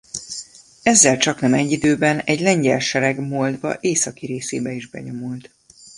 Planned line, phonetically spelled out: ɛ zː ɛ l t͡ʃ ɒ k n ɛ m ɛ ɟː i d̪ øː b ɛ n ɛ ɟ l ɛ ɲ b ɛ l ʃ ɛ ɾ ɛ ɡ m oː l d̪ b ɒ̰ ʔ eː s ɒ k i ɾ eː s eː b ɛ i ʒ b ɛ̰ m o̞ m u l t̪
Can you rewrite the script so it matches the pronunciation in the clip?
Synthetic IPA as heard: ɛ zː ɛ l t͡ʃ ɒ k n ɛ m ɛ ɟː i d̪ øː b ɛ n ɛ ɟ l ɛ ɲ ɟ ɛ l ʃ ɛ ɾ ɛ ɡ m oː l d̪ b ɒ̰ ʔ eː s ɒ k i ɾ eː s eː b ɛ i ʒ b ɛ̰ ɲ o̞ m u l t̪